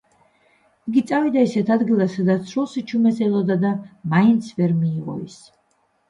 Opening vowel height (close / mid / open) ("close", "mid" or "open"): close